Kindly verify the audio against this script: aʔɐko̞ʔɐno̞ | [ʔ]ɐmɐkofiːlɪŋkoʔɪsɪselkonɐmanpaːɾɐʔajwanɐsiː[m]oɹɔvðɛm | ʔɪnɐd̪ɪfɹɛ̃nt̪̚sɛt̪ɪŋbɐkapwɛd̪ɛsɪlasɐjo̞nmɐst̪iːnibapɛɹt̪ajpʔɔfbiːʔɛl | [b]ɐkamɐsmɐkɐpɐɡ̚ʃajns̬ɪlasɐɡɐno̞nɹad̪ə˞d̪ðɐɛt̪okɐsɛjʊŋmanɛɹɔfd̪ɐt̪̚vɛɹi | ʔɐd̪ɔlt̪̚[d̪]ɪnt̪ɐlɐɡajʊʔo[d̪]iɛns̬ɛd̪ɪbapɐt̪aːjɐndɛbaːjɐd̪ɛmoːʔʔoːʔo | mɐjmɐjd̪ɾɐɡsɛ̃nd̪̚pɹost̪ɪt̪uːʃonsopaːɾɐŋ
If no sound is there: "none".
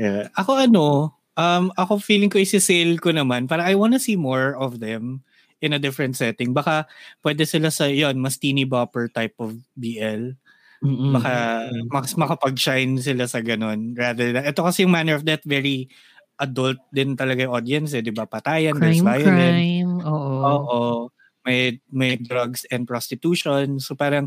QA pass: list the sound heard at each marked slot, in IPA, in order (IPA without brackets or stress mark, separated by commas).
ʔ, m, b, d̪, d̪